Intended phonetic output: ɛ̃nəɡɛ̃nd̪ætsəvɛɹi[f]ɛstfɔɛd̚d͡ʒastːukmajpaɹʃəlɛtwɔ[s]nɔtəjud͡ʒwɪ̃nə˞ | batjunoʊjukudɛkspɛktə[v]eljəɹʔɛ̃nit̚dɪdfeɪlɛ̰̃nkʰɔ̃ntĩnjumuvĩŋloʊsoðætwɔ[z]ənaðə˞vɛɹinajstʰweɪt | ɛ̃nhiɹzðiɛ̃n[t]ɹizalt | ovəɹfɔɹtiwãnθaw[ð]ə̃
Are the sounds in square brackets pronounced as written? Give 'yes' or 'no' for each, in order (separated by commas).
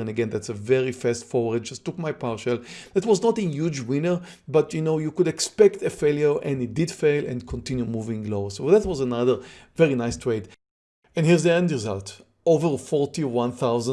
yes, no, no, yes, no, no